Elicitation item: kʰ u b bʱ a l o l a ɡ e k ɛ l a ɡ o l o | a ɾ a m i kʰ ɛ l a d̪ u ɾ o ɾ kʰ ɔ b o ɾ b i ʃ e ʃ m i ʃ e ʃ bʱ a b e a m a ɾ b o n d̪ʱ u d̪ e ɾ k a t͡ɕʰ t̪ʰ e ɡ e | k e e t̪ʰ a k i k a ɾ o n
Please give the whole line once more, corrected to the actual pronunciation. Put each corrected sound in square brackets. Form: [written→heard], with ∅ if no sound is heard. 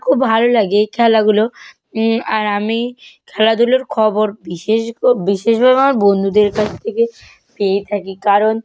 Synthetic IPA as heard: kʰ u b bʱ a l o l a ɡ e [k→kʰ] ɛ l a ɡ [o→u] l o | a ɾ a m i kʰ ɛ l a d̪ u [ɾ→l] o ɾ kʰ ɔ b o ɾ b i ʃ e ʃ [m→b] i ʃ e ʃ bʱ a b e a m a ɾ b o n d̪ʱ u d̪ e ɾ k a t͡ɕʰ t̪ʰ e [ɡ→k] e | [k→p] e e t̪ʰ a k i k a ɾ o n